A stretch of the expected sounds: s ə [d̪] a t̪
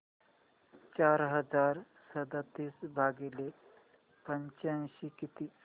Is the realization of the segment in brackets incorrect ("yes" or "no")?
no